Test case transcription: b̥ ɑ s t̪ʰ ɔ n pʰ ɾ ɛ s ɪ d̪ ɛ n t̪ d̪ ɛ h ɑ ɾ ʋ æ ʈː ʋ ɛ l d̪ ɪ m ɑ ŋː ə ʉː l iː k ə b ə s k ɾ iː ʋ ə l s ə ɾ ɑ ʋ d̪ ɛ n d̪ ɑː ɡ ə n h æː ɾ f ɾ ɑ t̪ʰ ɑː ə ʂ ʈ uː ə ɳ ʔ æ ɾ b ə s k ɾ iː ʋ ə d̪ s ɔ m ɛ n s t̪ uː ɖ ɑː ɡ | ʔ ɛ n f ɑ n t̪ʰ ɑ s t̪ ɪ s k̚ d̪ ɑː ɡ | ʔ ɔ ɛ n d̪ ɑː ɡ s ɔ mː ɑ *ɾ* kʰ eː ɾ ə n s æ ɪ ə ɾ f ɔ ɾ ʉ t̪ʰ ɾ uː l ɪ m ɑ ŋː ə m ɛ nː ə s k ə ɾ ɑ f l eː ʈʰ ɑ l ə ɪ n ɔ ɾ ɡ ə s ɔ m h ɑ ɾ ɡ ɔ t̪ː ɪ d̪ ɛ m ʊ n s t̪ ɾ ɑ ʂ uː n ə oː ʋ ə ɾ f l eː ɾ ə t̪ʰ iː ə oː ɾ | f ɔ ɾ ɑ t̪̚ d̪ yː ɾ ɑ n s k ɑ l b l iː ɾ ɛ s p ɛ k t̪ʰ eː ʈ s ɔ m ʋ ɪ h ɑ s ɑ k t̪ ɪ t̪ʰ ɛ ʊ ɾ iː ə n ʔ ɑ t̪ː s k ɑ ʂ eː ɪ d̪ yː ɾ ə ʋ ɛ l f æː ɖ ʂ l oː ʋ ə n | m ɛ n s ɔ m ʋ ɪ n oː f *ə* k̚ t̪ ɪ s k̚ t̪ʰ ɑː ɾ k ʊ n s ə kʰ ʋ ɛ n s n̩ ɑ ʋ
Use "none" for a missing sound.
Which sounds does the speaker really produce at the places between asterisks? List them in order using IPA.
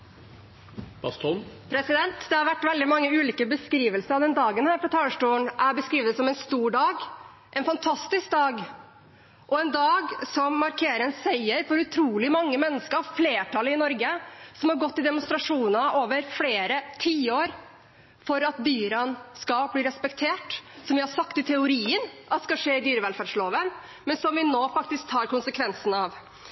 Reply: ɾ, ɑ

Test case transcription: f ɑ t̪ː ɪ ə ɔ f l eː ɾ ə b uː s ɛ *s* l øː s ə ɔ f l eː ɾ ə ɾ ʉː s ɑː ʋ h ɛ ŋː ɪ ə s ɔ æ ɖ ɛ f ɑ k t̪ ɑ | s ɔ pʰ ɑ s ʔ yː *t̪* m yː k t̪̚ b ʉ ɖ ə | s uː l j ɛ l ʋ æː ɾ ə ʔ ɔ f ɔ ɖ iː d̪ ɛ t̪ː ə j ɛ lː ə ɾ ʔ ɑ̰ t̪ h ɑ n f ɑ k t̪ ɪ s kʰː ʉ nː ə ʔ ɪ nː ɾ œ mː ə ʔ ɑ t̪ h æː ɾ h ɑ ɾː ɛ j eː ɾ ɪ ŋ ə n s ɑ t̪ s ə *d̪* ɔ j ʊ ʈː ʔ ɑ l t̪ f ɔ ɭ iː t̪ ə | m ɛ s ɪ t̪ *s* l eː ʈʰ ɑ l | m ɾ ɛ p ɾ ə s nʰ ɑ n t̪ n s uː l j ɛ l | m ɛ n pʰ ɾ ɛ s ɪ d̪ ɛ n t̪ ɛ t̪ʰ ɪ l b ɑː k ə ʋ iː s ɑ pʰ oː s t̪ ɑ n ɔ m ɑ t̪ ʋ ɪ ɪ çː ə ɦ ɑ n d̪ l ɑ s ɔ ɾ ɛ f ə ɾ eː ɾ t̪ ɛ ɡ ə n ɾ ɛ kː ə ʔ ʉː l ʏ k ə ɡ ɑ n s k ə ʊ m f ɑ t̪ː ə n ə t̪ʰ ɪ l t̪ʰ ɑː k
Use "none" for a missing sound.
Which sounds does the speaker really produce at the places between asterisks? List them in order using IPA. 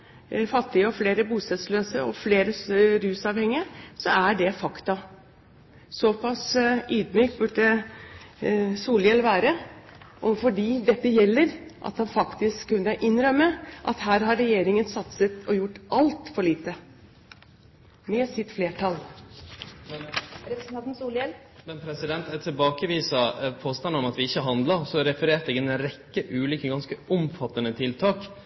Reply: s, d̪, t̪, f

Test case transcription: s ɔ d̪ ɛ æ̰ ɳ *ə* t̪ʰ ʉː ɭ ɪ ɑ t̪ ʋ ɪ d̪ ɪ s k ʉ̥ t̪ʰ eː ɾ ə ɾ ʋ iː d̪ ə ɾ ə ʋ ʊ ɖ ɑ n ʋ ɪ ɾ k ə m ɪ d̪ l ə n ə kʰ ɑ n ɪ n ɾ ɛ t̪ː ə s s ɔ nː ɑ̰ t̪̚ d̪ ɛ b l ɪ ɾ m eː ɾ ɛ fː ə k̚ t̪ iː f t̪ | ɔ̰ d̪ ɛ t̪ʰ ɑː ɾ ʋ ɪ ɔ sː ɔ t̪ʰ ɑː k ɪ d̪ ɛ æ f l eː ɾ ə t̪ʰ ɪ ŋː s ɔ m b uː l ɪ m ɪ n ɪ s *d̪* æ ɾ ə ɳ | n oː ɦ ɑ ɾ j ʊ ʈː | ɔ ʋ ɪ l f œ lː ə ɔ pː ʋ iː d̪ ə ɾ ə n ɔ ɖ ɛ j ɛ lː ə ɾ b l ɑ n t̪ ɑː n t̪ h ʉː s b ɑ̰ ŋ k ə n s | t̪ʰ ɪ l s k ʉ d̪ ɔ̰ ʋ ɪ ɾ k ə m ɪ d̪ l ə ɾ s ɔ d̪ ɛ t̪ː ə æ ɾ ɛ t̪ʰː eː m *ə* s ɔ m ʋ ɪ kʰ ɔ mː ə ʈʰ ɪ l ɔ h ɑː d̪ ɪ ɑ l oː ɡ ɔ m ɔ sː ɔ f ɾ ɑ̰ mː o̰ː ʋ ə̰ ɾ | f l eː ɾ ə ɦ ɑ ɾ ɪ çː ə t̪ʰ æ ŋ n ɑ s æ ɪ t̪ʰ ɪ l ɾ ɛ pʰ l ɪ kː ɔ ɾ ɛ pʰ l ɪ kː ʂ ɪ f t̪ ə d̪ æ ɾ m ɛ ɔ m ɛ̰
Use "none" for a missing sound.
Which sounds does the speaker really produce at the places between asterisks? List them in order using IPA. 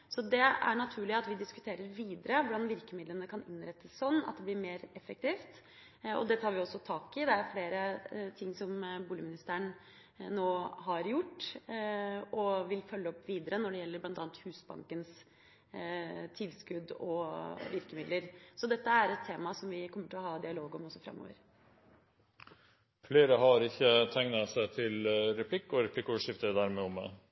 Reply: ɑ, t̪, ɑ

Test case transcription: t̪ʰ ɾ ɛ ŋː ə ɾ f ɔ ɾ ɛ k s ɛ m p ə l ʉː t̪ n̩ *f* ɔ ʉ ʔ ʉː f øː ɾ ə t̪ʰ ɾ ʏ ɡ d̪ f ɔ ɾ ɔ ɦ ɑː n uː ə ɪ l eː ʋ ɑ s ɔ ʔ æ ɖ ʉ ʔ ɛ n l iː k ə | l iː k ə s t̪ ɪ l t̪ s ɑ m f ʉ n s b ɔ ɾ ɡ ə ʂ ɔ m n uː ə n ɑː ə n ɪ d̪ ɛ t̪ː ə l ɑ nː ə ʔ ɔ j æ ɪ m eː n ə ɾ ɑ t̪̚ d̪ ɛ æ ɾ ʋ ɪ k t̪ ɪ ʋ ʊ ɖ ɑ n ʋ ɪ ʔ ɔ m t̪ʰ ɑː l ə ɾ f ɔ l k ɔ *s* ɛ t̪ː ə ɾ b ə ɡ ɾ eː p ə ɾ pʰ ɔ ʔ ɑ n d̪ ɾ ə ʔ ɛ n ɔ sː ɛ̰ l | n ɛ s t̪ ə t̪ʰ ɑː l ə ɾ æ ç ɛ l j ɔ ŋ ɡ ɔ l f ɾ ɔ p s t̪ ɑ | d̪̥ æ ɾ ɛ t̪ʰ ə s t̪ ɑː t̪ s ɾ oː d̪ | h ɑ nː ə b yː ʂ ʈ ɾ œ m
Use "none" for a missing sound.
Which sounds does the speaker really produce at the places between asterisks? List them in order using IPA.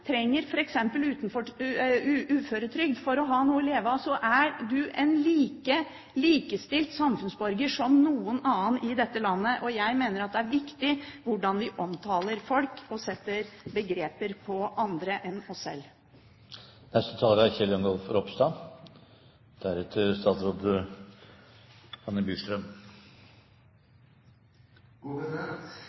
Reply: f, s

